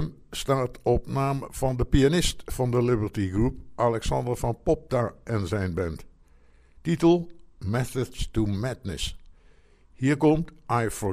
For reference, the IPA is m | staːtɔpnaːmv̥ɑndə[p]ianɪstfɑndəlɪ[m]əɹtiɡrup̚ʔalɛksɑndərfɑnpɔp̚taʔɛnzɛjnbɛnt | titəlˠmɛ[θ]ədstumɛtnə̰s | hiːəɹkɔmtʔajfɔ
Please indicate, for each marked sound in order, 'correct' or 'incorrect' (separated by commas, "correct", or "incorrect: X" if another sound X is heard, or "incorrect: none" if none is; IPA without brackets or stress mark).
correct, incorrect: b, correct